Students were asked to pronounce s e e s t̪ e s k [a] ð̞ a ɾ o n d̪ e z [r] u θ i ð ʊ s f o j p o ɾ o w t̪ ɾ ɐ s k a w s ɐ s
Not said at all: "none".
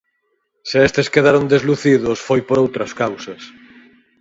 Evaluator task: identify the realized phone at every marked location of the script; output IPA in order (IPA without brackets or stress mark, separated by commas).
e, l